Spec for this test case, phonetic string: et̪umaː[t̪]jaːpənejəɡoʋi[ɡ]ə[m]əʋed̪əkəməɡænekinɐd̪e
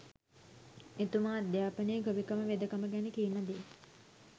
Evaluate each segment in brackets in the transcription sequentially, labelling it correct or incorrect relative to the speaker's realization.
incorrect: d̪, incorrect: k, correct

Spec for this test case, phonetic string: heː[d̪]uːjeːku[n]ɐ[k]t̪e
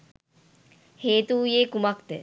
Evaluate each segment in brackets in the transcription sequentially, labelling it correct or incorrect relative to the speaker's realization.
incorrect: t̪, incorrect: m, correct

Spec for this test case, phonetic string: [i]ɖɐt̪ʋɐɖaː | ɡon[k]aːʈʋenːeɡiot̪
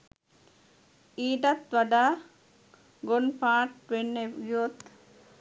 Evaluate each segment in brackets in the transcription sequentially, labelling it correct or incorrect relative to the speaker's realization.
incorrect: iː, incorrect: p

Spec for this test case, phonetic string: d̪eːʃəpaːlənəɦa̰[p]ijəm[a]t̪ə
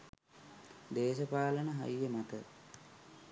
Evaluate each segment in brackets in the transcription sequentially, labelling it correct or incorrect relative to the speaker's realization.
incorrect: none, correct

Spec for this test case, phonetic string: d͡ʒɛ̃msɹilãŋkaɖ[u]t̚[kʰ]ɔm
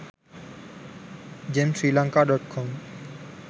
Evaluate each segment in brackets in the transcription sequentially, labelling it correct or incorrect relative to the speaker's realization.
incorrect: ɔ, correct

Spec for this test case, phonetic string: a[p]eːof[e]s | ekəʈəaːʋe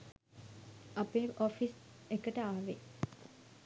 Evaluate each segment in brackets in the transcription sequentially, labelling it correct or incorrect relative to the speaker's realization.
correct, incorrect: i

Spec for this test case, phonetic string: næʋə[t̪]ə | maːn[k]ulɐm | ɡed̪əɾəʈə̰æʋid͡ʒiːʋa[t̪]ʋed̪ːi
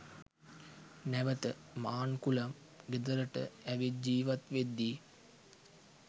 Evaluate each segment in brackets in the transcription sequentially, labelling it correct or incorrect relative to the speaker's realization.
correct, correct, correct

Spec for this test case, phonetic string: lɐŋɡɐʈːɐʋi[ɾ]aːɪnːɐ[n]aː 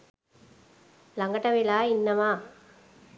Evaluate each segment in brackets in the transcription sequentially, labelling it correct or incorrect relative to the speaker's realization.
incorrect: l, incorrect: m

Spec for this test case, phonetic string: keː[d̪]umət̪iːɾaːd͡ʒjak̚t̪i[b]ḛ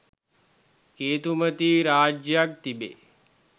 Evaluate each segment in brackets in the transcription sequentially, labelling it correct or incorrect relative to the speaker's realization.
incorrect: t̪, correct

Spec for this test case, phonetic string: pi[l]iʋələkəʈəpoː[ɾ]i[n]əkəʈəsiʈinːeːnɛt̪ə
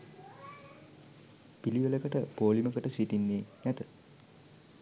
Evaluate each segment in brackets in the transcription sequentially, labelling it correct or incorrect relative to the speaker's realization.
correct, incorrect: l, incorrect: m

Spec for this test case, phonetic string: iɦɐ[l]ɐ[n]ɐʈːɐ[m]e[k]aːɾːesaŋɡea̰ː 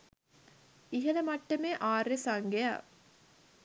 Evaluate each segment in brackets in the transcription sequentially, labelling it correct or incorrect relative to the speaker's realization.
correct, incorrect: m, correct, incorrect: ʔ

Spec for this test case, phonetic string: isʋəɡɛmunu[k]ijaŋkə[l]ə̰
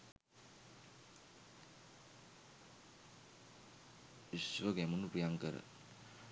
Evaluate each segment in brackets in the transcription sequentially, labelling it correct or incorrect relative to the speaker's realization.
incorrect: p, incorrect: ɾ

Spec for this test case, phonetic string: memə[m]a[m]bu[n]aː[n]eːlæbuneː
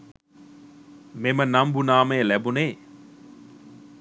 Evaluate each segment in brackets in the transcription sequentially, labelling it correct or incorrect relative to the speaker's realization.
incorrect: n, correct, correct, incorrect: m

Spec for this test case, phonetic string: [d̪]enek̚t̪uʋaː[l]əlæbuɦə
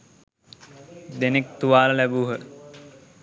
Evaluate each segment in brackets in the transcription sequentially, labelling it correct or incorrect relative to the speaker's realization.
correct, correct

